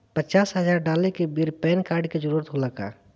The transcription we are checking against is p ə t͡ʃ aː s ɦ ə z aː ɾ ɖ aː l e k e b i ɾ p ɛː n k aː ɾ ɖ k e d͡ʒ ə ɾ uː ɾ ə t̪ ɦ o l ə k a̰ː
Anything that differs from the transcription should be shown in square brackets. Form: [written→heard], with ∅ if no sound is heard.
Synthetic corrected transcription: p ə t͡ʃ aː s ɦ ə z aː ɾ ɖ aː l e k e b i ɾ p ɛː n k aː ɾ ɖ k e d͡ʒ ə ɾ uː ɾ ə t̪ ɦ o l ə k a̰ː